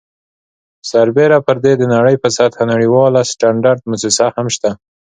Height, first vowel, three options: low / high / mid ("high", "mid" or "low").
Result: low